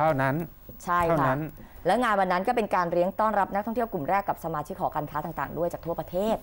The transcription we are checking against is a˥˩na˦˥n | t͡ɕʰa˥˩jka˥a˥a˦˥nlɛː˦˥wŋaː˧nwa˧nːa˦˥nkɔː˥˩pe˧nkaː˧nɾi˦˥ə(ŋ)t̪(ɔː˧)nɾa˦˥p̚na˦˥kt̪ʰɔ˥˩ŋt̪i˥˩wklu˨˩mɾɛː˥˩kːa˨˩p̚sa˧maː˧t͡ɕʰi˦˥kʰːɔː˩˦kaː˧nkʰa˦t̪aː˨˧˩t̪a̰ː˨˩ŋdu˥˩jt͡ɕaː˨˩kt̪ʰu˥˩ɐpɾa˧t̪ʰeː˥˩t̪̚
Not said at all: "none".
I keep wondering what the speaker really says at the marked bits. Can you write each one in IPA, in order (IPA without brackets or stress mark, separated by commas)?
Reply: ŋ, ɔː˥˩